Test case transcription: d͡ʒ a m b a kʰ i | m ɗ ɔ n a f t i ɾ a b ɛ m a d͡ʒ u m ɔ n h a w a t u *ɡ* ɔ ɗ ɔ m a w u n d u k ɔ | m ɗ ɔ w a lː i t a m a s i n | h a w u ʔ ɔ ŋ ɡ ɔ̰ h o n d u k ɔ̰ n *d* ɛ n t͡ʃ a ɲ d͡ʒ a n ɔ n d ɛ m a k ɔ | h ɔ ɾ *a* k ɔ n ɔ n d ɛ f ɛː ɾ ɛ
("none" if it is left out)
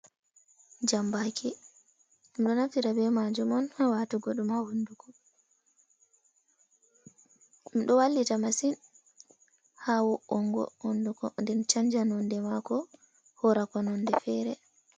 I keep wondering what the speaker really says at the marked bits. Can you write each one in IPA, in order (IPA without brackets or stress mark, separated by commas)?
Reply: ɡ, d, a